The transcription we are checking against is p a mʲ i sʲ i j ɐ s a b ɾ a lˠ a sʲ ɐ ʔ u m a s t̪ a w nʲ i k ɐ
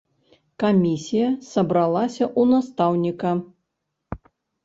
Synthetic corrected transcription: k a mʲ i sʲ i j ɐ s ɐ b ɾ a lˠ a sʲ ɐ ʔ u n a s t̪ a w nʲ i k ɐ